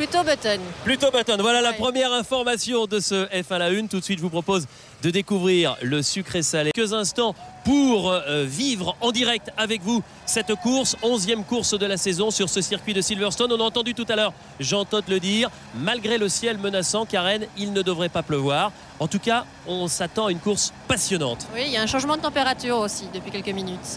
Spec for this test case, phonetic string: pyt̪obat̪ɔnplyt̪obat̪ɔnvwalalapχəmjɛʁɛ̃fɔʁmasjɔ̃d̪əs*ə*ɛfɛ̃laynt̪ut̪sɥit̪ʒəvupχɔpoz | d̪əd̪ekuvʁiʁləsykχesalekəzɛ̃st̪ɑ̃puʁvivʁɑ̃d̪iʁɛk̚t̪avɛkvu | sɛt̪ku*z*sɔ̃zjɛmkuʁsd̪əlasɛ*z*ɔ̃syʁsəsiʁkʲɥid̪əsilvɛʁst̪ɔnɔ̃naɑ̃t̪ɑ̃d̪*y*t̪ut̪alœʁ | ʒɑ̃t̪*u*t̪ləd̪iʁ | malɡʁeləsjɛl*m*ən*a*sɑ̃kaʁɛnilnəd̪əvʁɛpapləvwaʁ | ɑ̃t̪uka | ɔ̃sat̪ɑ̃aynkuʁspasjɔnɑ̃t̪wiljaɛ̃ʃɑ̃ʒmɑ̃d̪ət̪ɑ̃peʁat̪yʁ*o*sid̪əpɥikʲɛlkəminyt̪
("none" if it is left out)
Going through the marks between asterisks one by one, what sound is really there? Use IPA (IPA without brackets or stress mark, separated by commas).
ə, ʁ, z, y, ɔ, m, a, o